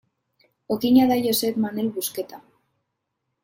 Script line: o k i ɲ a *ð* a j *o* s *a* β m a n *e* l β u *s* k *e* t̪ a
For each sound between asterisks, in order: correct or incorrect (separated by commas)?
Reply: correct, correct, incorrect, correct, correct, correct